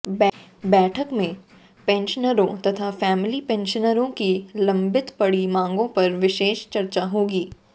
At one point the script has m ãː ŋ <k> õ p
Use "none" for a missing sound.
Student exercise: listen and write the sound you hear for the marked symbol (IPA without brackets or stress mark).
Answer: ɡ